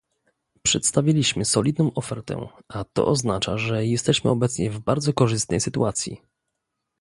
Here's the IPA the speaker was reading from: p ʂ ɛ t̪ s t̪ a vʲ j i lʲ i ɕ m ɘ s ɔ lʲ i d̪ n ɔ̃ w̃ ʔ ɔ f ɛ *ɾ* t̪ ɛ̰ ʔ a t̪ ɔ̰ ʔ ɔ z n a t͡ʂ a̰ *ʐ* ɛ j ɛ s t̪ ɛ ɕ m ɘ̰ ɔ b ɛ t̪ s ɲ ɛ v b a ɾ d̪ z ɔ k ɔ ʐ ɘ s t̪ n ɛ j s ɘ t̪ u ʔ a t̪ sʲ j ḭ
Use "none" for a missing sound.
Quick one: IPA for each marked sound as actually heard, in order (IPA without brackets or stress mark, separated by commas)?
ɾ, ʐ